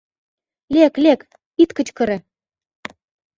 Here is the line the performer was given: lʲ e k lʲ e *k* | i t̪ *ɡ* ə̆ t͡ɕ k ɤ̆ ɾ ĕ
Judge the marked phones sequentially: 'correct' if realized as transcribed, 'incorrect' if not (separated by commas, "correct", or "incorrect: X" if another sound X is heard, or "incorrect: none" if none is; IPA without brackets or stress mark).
correct, incorrect: k